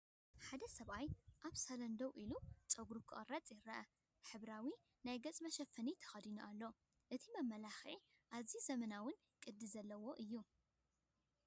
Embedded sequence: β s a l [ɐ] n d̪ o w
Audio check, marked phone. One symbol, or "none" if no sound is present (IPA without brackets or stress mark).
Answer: ɐ